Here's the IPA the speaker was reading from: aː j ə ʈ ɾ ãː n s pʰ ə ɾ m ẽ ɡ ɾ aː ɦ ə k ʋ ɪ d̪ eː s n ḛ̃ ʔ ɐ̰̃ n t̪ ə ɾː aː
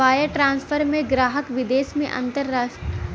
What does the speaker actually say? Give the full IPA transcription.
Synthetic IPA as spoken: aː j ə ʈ ɾ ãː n s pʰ ə ɾ m ẽ ɡ ɾ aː ɦ ə k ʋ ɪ d̪ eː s m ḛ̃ ʔ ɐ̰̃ n t̪ ə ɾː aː